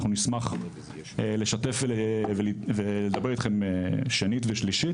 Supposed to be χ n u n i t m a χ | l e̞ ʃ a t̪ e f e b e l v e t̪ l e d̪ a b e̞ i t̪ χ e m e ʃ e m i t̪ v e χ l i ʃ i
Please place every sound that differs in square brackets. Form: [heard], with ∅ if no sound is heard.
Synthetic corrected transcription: χ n u n i [s] m a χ | l e̞ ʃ a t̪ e f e [v] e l v e [∅] l e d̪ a b e̞ i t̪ χ e m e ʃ e [n] i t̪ v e [ʃ] l i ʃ i